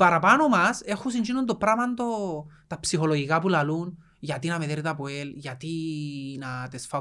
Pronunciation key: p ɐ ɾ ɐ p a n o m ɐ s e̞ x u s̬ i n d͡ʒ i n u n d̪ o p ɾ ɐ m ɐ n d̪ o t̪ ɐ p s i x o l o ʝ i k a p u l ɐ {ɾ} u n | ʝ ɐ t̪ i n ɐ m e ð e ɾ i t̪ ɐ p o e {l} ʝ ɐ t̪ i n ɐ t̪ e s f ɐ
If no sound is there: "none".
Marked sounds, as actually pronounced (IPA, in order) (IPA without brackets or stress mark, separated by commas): l, l